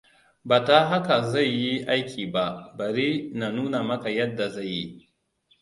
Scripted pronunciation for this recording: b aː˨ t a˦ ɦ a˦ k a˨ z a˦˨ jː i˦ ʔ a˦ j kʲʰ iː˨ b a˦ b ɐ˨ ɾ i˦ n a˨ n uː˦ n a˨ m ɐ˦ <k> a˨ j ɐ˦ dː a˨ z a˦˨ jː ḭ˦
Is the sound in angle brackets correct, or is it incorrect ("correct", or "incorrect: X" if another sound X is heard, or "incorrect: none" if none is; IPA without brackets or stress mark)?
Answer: correct